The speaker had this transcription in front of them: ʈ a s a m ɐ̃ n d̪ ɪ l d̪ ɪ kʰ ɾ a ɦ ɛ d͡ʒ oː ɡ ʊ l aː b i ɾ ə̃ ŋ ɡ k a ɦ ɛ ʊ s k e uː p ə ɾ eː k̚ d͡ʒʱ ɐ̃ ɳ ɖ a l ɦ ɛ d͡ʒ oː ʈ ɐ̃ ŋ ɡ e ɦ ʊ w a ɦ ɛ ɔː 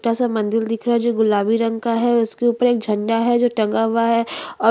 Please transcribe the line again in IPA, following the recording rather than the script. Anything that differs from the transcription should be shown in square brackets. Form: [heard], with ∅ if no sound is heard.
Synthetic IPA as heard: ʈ a s a m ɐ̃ n d̪ ɪ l d̪ ɪ kʰ ɾ a ɦ ɛ d͡ʒ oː ɡ ʊ l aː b i ɾ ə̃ ŋ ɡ k a ɦ ɛ ʊ s k e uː p ə ɾ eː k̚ d͡ʒʱ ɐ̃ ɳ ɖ a [∅] ɦ ɛ d͡ʒ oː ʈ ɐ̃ ŋ ɡ [a] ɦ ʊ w a ɦ ɛ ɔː